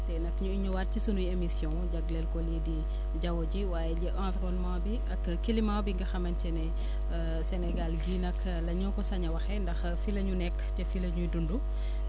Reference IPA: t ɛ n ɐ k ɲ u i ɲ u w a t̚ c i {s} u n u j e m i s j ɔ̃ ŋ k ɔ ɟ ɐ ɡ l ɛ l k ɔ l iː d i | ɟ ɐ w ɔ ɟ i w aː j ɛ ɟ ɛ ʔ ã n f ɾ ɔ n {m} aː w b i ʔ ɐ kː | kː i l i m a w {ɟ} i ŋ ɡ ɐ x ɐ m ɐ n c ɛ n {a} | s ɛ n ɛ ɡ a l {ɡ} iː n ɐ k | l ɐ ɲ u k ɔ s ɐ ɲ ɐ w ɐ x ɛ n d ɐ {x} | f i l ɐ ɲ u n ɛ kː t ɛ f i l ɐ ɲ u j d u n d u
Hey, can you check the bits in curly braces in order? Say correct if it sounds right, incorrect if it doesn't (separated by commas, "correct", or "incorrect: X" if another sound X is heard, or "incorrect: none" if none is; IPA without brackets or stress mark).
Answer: correct, correct, incorrect: b, incorrect: ɛ, correct, correct